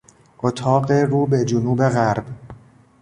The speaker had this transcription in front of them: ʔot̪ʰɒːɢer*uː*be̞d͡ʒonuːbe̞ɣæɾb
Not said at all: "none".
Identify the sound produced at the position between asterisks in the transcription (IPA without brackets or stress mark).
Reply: uː